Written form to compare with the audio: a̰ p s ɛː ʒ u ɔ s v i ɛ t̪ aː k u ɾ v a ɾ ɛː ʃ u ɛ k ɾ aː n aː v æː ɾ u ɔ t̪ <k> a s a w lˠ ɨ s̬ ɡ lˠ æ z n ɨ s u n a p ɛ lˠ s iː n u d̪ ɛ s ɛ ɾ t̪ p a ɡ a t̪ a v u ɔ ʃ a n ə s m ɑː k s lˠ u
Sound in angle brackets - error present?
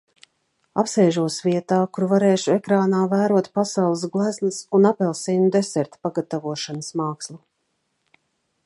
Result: yes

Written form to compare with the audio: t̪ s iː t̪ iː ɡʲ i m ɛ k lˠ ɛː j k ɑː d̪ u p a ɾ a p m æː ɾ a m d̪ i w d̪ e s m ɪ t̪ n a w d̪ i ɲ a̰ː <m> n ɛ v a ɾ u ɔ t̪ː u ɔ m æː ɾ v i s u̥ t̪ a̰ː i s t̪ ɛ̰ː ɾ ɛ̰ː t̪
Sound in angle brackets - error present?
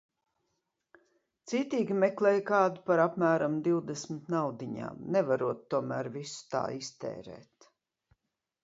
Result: no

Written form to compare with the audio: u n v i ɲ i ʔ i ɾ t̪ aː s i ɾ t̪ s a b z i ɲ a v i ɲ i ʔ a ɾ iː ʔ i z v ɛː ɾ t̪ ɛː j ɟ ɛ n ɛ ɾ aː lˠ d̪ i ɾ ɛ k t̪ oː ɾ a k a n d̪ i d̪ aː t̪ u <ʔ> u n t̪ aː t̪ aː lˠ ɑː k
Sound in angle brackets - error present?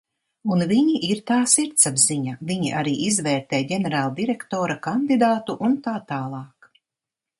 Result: no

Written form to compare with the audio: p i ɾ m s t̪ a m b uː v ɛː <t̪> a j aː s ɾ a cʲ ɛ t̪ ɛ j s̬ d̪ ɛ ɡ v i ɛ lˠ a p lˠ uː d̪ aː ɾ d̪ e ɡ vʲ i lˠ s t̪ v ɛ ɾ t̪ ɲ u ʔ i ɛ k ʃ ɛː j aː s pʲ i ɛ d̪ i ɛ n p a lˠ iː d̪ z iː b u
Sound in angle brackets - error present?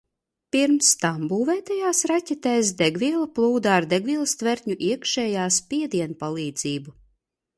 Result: no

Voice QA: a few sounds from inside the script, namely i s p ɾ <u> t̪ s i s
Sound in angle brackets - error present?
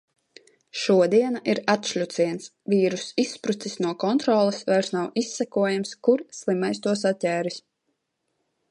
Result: no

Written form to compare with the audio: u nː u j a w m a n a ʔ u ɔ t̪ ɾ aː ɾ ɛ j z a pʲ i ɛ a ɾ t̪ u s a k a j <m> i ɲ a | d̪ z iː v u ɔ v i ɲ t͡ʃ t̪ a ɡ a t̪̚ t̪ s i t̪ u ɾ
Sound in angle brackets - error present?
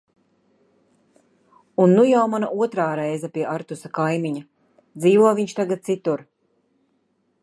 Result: no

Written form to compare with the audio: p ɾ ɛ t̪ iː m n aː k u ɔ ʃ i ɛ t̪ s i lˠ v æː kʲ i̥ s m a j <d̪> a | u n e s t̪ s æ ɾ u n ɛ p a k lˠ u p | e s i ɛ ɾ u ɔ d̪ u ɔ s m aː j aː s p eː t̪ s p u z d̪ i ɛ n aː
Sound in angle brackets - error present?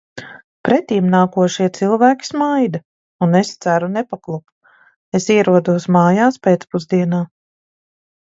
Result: no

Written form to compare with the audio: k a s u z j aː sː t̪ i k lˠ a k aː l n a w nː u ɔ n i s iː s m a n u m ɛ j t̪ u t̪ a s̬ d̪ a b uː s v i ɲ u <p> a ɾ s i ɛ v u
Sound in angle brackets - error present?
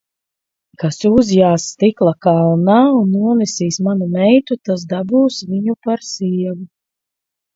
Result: no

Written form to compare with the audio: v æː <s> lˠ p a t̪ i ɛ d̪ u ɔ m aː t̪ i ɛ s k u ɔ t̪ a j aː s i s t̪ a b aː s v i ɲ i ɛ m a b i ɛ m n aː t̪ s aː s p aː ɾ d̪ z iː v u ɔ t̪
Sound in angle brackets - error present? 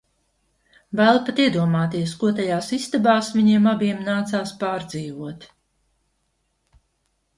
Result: yes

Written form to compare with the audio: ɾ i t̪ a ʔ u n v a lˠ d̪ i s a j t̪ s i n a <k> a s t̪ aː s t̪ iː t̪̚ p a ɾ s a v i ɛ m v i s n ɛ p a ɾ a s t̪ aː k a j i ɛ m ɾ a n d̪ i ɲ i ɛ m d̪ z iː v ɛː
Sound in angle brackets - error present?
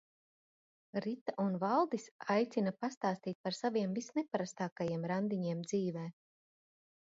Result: yes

